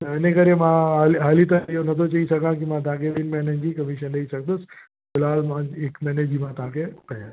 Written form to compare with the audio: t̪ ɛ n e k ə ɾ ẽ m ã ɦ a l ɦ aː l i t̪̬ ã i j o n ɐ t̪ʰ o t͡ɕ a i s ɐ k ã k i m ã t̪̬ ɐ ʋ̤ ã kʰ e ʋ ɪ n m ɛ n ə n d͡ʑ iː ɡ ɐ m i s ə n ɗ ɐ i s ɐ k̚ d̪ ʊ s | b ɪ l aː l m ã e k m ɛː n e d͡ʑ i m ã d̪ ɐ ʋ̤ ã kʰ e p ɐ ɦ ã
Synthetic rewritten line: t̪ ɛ n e k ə ɾ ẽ m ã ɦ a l ɦ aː l i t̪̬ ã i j o n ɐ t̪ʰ o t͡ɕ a i s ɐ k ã k i m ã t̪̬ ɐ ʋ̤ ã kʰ e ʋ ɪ n m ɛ n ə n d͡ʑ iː k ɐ m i ʃ ə n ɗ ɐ i s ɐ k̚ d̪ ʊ s | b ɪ l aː l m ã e k m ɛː n e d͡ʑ i m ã t̪ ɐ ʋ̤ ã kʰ e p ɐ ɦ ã